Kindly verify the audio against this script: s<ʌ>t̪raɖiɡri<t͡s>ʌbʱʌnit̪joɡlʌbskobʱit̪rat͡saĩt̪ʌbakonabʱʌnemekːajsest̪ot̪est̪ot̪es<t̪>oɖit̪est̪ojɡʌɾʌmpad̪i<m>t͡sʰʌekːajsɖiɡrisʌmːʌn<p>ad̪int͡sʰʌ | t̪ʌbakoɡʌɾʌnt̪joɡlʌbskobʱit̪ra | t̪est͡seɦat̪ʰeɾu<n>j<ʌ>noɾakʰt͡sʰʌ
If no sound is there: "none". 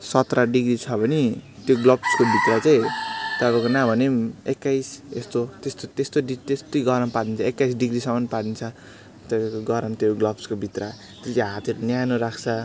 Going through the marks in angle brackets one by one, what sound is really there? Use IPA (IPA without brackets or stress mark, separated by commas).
ʌ, t͡sʰ, t̪, n, p, n, a